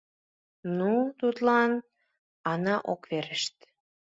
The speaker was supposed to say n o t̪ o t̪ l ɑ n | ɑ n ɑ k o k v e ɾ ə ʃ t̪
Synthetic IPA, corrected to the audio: n u t̪ u t̪ l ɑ n | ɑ n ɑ ʔ o k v e ɾ ə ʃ t̪